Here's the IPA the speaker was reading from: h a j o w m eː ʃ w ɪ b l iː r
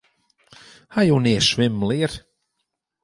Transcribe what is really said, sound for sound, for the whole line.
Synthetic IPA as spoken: h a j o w n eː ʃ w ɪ m l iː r